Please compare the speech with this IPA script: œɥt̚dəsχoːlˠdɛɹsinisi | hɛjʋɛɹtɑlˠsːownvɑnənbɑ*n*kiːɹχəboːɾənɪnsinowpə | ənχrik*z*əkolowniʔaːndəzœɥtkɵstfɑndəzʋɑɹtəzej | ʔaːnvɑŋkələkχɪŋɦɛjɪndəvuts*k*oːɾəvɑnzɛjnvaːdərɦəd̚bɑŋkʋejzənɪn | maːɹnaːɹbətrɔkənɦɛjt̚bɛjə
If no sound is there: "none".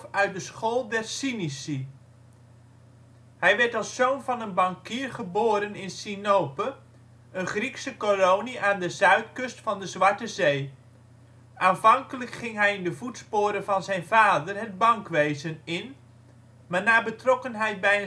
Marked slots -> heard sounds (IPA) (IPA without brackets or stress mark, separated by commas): ŋ, s, p